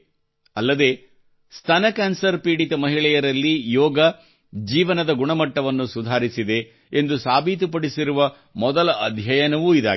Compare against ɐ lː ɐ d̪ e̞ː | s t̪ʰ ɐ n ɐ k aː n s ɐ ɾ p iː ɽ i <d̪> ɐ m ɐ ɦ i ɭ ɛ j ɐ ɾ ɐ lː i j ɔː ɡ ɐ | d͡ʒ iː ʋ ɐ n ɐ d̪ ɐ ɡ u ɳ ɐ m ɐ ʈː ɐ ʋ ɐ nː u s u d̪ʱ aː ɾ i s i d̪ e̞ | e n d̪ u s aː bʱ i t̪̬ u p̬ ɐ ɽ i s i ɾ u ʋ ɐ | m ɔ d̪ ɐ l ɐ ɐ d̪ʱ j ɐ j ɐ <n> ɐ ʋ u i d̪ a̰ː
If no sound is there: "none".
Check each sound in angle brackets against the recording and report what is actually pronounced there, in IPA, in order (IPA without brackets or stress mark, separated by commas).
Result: t̪, n